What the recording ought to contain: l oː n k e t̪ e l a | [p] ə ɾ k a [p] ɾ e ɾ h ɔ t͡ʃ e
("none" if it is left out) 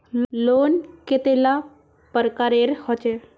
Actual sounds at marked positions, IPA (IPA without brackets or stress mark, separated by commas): p, none